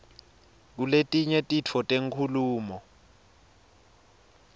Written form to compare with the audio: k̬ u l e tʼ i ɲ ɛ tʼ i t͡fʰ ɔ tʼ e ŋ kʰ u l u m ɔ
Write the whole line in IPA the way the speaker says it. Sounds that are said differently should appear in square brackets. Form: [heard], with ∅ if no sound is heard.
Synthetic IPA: k̬ u l e tʼ i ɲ ɛ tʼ i t͡fʰ ɔ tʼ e ŋ kʰ u l [uː] m ɔ

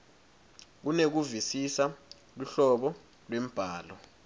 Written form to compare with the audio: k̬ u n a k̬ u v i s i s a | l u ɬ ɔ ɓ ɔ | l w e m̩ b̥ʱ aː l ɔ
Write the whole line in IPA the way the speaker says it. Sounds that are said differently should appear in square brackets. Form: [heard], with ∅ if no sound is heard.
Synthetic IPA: k̬ u n [e] k̬ u v i s i s a | l u ɬ ɔ ɓ ɔ | l w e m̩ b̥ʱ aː l ɔ

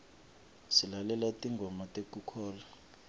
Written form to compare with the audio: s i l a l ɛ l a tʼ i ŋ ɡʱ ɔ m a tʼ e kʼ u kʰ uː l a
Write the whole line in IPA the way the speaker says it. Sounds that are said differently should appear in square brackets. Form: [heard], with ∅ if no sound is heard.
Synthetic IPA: s i l a l ɛ l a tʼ i ŋ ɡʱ ɔ m a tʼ e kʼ u kʰ [ɔː] l a

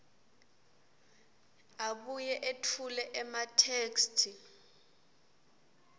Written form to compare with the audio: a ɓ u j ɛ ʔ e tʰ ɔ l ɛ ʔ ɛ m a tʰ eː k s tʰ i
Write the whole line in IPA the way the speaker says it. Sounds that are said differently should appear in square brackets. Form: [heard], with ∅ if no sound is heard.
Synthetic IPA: a ɓ u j ɛ ʔ e tʰ [u] l ɛ ʔ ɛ m a tʰ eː k s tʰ i

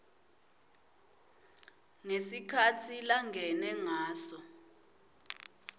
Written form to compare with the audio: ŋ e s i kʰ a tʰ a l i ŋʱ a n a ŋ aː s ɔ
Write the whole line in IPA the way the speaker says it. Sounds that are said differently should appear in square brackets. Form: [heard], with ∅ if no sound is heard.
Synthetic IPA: ŋ e s i kʰ a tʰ [i] l [a] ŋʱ [ɛ] n [ɛ] ŋ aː s ɔ

